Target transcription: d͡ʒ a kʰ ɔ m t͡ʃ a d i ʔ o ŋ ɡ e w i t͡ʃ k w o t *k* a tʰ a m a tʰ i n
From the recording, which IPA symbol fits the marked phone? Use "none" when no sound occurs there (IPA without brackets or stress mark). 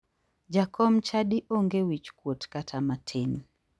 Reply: k